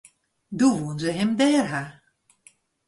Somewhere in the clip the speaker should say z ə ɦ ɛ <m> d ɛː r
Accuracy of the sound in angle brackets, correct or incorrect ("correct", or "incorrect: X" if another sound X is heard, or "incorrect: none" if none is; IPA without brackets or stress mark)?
correct